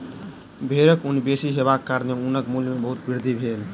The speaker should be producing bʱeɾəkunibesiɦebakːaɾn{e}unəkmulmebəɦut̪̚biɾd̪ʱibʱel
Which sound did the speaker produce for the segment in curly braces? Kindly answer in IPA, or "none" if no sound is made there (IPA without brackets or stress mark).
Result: e